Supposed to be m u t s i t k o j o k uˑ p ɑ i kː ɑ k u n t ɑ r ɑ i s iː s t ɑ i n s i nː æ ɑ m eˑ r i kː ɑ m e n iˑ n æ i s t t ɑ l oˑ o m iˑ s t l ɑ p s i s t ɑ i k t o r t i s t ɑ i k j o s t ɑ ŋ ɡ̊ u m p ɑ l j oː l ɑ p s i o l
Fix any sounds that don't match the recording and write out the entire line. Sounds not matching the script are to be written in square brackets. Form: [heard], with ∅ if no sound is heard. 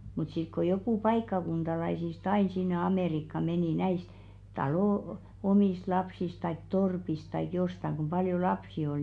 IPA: m u t s i t k o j o k uˑ p ɑ i kː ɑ k u n t ɑ [l] ɑ i s [i] s t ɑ i n s i nː [e] ɑ m eˑ r i kː ɑ m e n iˑ n æ i s t t ɑ l oˑ o m iˑ s t l ɑ p s i s t ɑ i k t o r [p] i s t ɑ i k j o s t ɑ ŋ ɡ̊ u m p ɑ l j [o] l ɑ p s i o l